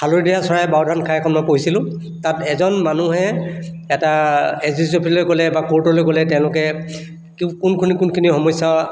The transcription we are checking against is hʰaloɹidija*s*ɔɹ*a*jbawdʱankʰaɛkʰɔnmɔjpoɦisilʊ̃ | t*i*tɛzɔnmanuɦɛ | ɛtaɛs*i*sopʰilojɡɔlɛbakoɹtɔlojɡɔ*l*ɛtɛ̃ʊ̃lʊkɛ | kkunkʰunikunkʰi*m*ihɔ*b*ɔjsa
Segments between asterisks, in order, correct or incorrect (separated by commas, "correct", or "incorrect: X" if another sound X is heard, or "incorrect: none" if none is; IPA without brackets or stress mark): correct, correct, incorrect: a, correct, correct, incorrect: n, incorrect: m